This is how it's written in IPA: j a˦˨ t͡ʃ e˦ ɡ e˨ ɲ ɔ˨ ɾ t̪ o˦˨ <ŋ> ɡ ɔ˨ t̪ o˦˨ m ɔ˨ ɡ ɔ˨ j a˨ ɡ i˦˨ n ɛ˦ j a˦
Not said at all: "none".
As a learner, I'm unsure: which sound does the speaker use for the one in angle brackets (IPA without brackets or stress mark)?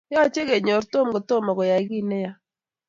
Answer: m